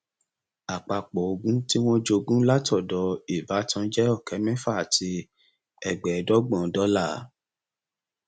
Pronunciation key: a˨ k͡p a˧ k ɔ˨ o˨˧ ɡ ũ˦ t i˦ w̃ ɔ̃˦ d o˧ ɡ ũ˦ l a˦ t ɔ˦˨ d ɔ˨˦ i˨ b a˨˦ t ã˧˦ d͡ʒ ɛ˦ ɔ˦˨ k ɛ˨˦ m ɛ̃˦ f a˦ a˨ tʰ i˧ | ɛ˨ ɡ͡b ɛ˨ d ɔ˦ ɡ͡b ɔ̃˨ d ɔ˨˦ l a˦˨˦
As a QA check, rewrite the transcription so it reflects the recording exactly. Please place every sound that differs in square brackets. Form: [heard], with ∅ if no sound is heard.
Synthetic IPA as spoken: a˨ k͡p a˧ [k͡p] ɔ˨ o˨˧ ɡ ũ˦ t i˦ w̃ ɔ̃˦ [d͡ʒ] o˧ ɡ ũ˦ l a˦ t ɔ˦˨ d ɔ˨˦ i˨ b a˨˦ t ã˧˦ d͡ʒ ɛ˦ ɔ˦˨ k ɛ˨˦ m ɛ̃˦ f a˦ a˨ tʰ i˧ | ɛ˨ ɡ͡b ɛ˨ d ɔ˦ ɡ͡b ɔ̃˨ d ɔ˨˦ l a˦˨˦